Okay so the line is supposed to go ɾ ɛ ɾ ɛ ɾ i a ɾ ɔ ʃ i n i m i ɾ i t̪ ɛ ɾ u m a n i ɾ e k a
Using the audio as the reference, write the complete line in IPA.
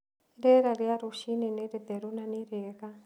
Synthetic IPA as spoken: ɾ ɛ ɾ a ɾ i a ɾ u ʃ i n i n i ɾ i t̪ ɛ ɾ u n a n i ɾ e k a